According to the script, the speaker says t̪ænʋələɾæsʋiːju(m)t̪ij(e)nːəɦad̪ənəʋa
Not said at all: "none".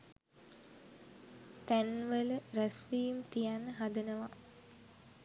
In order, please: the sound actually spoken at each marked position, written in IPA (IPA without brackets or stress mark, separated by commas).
m, a